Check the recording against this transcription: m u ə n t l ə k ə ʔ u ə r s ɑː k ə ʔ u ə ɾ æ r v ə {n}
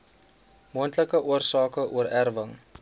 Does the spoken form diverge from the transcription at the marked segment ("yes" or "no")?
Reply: yes